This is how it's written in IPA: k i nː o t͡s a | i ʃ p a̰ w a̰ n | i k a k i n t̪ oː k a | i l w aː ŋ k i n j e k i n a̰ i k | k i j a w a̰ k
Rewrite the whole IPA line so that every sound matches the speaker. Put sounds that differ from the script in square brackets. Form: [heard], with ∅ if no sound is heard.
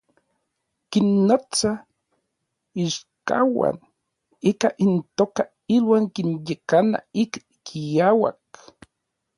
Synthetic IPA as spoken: k i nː o t͡s a | i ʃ [k] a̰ w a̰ n | i k a [ʔ] i n t̪ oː k a | i l w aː ŋ k i n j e k [a] n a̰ i k | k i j a w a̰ k

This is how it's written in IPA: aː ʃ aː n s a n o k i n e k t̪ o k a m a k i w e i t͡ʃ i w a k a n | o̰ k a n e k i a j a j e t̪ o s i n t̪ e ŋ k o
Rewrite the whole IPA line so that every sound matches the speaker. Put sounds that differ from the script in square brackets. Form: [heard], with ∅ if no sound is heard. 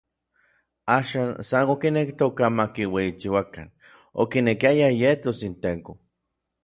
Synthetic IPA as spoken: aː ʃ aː n s a n o k i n e k t̪ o k a m a k i w e i t͡ʃ i w a k a n | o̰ k [i] n e k i a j a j e t̪ o s i n t̪ e ŋ k o

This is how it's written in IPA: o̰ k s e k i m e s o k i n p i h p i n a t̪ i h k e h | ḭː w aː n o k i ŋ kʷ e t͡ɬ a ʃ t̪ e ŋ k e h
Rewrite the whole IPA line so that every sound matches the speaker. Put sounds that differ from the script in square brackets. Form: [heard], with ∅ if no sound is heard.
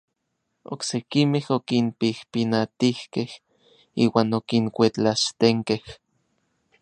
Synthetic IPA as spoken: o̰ k s e k i m e [h] o k i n p i h p i n a t̪ i h k e h | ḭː w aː n o k i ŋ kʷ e t͡ɬ a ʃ t̪ e ŋ k e h

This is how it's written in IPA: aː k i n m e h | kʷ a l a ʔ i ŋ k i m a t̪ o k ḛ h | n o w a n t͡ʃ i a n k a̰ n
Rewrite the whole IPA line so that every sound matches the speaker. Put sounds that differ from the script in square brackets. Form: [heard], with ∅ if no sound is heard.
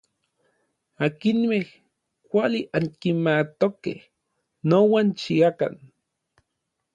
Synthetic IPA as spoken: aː k i n m e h | kʷ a l [i] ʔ [a] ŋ k i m a t̪ o k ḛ h | n o w a n t͡ʃ i a [∅] k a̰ n

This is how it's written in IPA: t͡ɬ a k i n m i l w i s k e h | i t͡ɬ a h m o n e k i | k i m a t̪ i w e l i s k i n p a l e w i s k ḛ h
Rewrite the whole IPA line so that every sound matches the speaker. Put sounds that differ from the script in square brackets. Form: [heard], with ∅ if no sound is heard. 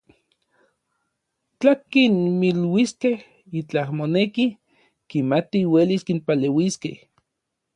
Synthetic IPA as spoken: t͡ɬ a k i n m i l w i s k e h | i t͡ɬ a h m o n e k i | k i m a t̪ i w e l i s k i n p a l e w i s k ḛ h

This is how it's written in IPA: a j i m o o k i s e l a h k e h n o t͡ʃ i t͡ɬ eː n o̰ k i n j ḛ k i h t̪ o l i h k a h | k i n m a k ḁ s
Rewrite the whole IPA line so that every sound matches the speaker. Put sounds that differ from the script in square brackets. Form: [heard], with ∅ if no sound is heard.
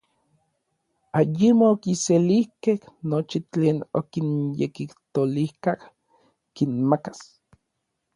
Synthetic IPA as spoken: a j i m o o k i s e l [i] h k e h n o t͡ʃ i t͡ɬ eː n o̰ k i n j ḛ k i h t̪ o l i h k a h | k i n m a k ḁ s

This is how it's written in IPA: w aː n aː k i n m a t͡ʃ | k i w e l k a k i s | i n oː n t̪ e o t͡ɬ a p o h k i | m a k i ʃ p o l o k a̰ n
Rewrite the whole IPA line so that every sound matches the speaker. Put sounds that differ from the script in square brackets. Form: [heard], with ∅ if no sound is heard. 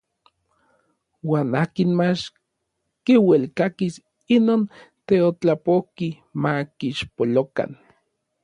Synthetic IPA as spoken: w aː n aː k i n m a t͡ʃ | k i w e l k a k i s | i n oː n t̪ e o t͡ɬ a p o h k i | m a k i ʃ p o l o k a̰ n

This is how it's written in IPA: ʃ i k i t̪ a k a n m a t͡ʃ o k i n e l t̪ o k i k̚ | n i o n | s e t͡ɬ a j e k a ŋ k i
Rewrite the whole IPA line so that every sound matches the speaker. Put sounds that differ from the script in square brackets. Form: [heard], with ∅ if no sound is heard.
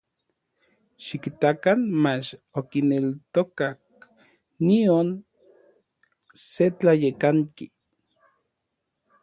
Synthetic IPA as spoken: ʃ i k i t̪ a k a n m a t͡ʃ o k i n e l t̪ o k [a] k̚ | n i o n | s e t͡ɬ a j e k a ŋ k i

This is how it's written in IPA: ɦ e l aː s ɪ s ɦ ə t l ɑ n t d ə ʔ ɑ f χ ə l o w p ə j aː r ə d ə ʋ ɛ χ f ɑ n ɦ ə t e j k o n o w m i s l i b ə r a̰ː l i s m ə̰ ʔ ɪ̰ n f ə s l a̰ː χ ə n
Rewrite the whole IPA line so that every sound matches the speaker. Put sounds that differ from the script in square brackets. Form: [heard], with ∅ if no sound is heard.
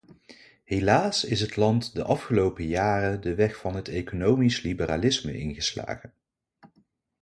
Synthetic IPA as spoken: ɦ e l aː s ɪ s ɦ ə t l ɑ n t d ə ʔ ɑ f χ ə l o w p ə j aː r ə d ə ʋ ɛ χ f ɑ n ɦ ə t e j k o n o w m i s l i b ə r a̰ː l [ɪ] s m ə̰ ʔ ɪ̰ n [χ] ə s l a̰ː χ ə n

